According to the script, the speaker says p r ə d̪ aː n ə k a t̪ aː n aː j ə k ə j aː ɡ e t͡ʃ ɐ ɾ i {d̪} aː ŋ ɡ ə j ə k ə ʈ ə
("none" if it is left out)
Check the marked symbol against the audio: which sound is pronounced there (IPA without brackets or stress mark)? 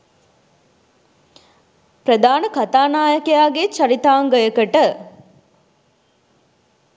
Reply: t̪